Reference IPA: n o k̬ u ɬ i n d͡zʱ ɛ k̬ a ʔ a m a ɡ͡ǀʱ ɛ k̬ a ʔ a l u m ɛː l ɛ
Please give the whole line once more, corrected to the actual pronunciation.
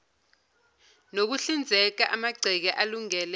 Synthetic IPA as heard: n o k̬ u ɬ i n d͡zʱ ɛ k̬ a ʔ a m a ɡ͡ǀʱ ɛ k̬ ɛ ʔ a l u ŋ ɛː l ɛ